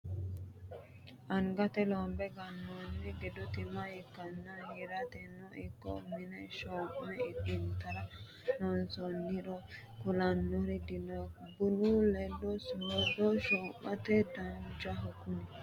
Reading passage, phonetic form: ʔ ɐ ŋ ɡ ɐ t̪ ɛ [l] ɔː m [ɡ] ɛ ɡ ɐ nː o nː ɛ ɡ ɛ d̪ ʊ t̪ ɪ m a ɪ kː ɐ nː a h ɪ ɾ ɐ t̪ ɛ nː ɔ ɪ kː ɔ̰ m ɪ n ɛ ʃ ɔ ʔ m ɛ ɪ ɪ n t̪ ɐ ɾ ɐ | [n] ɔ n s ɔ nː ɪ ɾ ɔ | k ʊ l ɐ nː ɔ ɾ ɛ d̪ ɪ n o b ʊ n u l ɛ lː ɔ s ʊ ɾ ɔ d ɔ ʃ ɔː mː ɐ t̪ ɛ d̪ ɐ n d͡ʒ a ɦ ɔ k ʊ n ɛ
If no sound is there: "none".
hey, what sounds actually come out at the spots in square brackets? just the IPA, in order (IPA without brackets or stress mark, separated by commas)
l, b, n